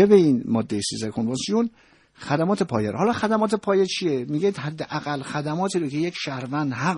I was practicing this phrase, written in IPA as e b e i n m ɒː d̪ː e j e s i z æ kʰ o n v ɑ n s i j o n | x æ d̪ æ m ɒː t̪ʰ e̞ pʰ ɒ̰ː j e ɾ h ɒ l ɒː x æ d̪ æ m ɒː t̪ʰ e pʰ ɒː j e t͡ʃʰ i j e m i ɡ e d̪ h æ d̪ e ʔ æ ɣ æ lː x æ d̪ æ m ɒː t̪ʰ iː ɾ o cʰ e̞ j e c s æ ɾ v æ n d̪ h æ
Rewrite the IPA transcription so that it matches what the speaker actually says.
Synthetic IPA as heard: e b e i n m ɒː d̪ː e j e s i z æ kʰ o n v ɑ n s i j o n | x æ d̪ æ m ɒː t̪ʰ e̞ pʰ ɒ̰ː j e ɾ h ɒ l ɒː x æ d̪ æ m ɒː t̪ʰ e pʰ ɒː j e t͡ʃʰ i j e m i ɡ e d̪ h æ d̪ː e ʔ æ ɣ æ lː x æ d̪ æ m ɒː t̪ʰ iː ɾ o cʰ e̞ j e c ʃ æ ɾ v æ n d̪ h æ